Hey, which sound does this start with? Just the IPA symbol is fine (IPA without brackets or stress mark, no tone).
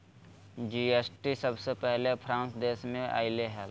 d͡ʒ